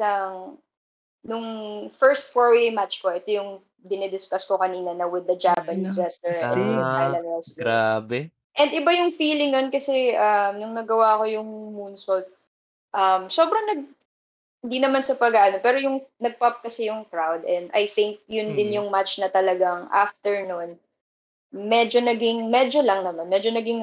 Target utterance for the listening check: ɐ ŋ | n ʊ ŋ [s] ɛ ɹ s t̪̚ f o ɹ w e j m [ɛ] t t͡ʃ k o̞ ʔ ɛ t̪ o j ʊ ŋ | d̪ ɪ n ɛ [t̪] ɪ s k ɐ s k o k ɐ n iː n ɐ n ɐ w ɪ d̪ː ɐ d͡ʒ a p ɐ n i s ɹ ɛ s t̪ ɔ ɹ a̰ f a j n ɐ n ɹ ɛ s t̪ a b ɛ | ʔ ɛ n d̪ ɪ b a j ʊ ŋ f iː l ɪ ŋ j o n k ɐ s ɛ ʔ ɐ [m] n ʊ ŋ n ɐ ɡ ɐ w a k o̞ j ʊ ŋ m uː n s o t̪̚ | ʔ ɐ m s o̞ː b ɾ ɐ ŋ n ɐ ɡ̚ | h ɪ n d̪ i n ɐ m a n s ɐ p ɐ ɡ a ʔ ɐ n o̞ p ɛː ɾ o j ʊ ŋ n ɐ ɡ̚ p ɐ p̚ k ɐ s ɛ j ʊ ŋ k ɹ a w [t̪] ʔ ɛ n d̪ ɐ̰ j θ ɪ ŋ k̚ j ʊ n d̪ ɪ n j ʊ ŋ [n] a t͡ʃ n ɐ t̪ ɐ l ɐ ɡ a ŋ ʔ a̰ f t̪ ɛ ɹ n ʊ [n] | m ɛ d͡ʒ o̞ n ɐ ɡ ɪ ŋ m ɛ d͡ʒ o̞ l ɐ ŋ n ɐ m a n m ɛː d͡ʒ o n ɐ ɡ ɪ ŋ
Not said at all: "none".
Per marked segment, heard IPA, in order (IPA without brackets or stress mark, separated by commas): f, a, d̪, m, d̪, m, n